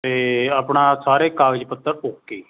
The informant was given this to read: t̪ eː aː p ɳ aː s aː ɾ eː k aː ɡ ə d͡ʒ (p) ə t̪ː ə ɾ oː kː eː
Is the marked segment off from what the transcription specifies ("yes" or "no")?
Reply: no